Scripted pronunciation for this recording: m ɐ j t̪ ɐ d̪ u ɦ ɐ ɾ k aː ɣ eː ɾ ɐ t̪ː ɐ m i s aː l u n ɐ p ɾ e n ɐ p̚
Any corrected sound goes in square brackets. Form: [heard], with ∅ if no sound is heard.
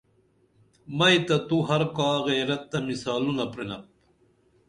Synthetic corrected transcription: m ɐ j t̪ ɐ [t̪] u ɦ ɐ ɾ k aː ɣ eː ɾ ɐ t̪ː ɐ m i s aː l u n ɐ p ɾ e n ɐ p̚